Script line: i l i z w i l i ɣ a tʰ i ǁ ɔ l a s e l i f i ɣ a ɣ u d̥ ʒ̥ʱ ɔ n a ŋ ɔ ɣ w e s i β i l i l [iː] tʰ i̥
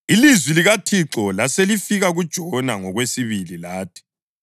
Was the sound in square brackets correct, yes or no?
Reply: no